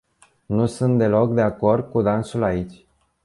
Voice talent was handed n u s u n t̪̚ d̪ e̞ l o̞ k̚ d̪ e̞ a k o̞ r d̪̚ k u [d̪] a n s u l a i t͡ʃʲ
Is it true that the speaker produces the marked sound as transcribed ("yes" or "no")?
yes